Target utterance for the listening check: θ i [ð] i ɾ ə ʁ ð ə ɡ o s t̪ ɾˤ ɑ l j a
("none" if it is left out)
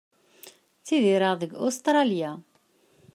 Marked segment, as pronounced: ð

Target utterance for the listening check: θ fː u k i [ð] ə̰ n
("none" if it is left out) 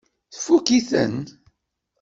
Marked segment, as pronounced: θ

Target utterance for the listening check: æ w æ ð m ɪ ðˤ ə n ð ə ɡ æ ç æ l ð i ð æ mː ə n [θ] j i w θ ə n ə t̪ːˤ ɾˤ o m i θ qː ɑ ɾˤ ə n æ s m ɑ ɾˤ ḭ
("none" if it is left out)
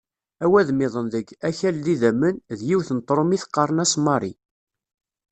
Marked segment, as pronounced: ð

